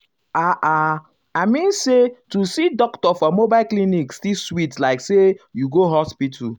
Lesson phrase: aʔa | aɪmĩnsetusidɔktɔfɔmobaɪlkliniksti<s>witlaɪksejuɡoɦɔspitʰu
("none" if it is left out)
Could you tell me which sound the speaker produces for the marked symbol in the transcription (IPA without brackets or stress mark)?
s